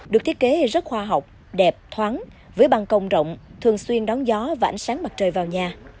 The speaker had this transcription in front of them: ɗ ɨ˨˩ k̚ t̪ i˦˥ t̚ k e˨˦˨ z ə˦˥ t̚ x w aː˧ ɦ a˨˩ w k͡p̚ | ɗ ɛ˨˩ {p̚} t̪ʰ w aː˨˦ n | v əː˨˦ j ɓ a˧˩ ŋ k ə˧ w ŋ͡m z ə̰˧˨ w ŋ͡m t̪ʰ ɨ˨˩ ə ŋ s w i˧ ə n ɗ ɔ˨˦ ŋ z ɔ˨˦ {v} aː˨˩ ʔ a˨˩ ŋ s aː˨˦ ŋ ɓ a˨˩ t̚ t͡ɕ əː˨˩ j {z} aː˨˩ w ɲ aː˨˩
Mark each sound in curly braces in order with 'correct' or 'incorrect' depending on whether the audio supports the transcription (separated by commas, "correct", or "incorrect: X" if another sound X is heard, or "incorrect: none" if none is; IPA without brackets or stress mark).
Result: correct, correct, incorrect: v